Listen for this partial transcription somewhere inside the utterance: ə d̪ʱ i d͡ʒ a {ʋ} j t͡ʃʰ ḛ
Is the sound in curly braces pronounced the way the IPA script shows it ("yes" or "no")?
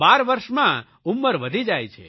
no